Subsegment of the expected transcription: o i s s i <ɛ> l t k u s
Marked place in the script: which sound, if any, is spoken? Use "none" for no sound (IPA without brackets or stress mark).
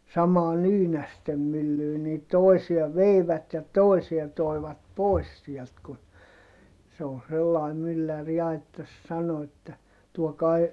ɛ